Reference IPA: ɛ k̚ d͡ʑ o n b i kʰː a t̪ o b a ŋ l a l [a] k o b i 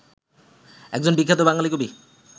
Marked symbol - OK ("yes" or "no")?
no